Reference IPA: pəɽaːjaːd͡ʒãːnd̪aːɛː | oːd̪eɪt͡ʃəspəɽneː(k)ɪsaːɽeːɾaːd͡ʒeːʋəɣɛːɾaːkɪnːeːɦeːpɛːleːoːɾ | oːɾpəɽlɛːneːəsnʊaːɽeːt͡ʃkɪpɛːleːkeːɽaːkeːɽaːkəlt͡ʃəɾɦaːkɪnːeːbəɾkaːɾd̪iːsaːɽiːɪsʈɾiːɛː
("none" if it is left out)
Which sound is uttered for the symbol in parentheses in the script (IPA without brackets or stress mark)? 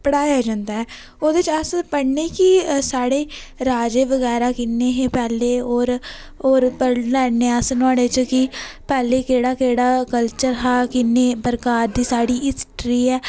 k